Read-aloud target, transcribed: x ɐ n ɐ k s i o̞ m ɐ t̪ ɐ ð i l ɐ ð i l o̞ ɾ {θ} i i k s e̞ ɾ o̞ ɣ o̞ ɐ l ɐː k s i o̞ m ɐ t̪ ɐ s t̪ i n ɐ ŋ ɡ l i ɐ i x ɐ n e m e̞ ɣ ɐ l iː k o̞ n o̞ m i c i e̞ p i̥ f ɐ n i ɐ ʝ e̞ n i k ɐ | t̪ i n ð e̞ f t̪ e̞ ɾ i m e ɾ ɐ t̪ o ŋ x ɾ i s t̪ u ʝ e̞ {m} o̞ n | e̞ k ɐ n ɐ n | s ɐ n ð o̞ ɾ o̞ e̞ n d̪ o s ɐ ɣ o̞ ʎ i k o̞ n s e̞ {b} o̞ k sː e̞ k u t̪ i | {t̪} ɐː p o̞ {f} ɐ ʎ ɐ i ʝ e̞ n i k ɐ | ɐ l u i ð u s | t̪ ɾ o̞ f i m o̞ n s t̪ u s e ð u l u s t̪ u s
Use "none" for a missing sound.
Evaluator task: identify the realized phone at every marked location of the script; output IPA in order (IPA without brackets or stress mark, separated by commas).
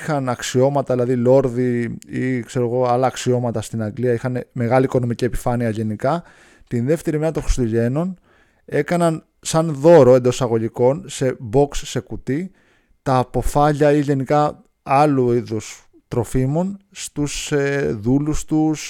ð, n, b, t̪, f